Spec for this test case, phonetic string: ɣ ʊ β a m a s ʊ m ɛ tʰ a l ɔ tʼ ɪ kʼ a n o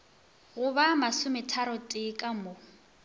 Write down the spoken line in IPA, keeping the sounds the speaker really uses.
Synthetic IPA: ɣ ʊ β a m a s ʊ m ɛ tʰ a ɾ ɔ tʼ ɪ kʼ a m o